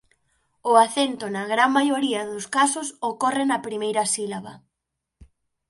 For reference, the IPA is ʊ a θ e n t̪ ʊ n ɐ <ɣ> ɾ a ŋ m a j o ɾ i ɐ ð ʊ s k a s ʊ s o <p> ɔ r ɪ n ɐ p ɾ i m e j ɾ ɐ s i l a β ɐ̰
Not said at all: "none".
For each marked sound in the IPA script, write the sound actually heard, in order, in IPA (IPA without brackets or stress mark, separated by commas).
ɣ, k